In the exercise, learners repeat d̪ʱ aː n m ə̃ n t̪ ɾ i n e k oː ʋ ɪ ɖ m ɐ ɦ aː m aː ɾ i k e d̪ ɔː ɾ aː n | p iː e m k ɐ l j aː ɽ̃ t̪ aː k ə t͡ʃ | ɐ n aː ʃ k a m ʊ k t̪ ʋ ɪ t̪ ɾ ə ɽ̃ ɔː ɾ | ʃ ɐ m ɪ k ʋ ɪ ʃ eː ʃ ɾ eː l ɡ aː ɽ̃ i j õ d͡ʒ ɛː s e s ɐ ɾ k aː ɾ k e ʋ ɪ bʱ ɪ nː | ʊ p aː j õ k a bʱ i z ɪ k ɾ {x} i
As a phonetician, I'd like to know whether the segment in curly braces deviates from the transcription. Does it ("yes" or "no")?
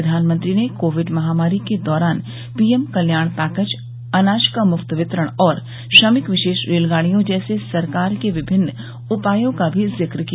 yes